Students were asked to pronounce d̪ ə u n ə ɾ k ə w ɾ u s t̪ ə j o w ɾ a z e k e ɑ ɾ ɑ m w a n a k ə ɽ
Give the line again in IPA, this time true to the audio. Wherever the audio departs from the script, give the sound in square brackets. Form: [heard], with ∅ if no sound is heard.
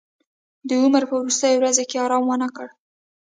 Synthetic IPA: d̪ ə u [m] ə ɾ [p] ə w ɾ u s t̪ ə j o w ɾ a z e k e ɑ ɾ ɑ m w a n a k ə ɽ